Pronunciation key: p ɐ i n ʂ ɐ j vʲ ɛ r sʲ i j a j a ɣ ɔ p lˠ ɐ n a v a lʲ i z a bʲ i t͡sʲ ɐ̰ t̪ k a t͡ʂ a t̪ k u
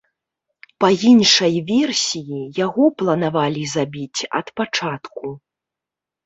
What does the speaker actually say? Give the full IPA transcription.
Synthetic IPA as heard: p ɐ i n ʂ ɐ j vʲ ɛ r sʲ i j i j a ɣ ɔ p lˠ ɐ n a v a lʲ i z a bʲ i t͡sʲ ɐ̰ t̪ p a t͡ʂ a t̪ k u